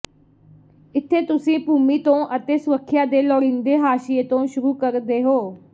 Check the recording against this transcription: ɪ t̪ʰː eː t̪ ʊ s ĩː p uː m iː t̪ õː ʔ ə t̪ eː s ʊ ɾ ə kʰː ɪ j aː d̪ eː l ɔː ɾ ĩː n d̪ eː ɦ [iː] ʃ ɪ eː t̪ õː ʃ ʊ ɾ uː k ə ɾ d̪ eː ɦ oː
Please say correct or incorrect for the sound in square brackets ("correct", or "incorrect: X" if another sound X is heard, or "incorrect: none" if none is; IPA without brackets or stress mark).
incorrect: aː